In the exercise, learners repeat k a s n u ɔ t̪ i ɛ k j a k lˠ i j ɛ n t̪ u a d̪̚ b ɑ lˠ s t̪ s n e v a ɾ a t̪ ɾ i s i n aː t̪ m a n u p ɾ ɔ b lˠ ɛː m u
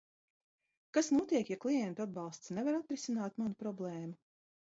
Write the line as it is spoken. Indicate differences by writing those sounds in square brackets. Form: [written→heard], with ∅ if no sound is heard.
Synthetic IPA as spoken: k a s n u ɔ t̪ i ɛ k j a k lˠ i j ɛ n t̪ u a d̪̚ b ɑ lˠ s t̪ s n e v a ɾ a t̪ ɾ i s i n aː t̪ m a n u p ɾ ɔ b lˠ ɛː m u